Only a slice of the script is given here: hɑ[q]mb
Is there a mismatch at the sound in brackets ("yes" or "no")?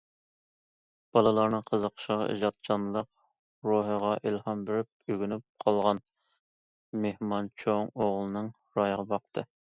yes